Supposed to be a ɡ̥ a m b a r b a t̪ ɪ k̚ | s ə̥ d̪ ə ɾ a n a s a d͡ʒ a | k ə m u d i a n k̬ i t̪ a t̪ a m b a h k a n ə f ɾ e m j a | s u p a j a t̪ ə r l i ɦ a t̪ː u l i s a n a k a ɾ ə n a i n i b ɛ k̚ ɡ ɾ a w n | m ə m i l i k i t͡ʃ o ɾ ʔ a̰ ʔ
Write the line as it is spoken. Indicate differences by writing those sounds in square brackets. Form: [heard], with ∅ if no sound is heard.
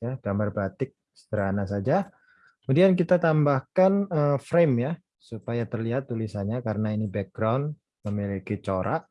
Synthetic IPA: a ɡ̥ a m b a r b a t̪ ɪ k̚ | s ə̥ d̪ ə ɾ a n a s a d͡ʒ a | k ə m u d i a n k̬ i t̪ a t̪ a m b a h k a n ə f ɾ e m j a | s u p a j a t̪ ə r l i ɦ a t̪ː u l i s a [ɲ] a k a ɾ ə n a i n i b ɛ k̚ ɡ ɾ a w n | m ə m i l i k i t͡ʃ o ɾ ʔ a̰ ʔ